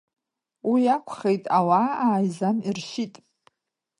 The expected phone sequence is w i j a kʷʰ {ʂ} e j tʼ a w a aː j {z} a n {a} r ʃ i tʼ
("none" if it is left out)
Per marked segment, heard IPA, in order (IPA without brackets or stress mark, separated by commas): χ, z, i